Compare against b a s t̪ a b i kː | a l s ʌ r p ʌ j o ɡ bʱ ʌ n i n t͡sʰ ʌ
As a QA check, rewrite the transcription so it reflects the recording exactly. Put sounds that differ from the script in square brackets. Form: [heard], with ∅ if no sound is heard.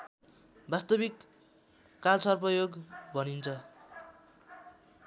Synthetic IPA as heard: b a s t̪ [ʌ] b i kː | a l s ʌ r p ʌ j o ɡ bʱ ʌ n i n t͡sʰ ʌ